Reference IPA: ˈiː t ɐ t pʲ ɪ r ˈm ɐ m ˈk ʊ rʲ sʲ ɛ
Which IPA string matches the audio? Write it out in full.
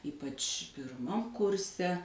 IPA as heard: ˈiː p ɐ t͡ʃ pʲ ɪ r ˈm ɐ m ˈk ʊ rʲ sʲ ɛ